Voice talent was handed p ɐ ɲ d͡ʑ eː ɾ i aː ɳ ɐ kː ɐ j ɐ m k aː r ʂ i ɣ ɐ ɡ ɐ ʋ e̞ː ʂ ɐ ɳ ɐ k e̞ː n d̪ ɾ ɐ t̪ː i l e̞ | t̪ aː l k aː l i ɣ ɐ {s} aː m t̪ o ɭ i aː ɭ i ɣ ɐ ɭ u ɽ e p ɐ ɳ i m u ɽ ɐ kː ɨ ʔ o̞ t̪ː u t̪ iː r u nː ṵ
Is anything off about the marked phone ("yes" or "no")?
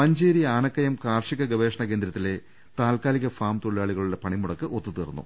yes